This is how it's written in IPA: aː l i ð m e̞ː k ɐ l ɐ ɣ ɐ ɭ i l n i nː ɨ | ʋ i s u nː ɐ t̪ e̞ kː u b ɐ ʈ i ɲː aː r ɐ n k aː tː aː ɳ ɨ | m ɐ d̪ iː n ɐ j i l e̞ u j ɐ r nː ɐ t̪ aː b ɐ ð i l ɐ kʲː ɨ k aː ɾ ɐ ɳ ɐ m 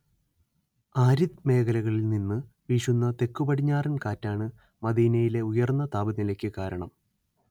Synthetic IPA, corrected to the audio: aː ɾ i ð m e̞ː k ɐ l ɐ ɣ ɐ ɭ i l n i nː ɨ | ʋ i ʂ u nː ɐ t̪ e̞ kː u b ɐ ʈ i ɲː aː r ɐ n k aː tː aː ɳ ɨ | m ɐ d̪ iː n ɐ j i l e̞ u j ɐ r nː ɐ t̪ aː b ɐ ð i l ɐ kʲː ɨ k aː ɾ ɐ ɳ ɐ m

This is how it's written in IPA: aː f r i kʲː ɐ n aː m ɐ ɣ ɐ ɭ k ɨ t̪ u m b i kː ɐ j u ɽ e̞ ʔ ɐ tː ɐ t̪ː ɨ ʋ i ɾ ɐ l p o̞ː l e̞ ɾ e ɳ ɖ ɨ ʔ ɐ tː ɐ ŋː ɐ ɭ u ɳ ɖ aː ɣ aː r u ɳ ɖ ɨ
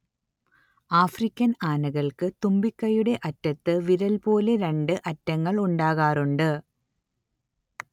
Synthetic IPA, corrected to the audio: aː f r i kʲː ɐ n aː n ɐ ɣ ɐ ɭ k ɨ t̪ u m b i kː ɐ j u ɽ e̞ ʔ ɐ tː ɐ t̪ː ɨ ʋ i ɾ ɐ l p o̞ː l e̞ ɾ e ɳ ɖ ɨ ʔ ɐ tː ɐ ŋː ɐ ɭ u ɳ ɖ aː ɣ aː r u ɳ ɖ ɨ

